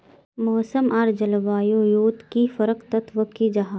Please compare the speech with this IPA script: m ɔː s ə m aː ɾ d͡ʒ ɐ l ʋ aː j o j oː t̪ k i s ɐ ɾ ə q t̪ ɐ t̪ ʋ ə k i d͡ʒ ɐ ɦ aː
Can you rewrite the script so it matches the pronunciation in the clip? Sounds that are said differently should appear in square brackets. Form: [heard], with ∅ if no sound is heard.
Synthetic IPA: m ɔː s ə m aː ɾ d͡ʒ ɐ l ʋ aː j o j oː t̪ k i [f] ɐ ɾ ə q t̪ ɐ t̪ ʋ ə k i d͡ʒ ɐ ɦ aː